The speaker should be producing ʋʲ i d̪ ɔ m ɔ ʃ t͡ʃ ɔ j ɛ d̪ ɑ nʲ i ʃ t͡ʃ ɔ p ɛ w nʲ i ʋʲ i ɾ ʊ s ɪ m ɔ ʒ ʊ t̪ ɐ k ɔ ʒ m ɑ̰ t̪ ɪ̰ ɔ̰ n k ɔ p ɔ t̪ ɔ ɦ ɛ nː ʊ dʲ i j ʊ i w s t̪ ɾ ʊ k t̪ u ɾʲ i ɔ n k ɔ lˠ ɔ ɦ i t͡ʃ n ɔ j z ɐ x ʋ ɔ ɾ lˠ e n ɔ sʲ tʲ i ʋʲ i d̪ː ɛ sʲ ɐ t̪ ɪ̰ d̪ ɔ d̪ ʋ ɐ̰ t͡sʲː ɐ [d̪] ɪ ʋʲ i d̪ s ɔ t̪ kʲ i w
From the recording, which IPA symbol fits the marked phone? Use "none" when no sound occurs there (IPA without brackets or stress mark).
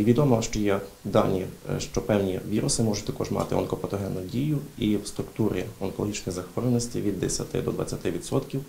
t̪